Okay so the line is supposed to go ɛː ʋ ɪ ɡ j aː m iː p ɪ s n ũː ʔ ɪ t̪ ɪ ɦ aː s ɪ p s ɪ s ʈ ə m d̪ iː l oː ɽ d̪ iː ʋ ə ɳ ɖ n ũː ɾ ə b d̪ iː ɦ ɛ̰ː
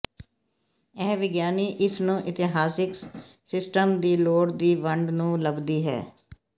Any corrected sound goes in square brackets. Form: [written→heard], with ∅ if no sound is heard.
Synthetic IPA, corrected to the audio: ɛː ʋ ɪ ɡ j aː [m→n] iː [p→ʔ] ɪ s n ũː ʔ ɪ t̪ ɪ ɦ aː s ɪ [p→k] s ɪ s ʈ ə m d̪ iː l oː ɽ d̪ iː ʋ ə ɳ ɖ n ũː [ɾ→l] ə b d̪ iː ɦ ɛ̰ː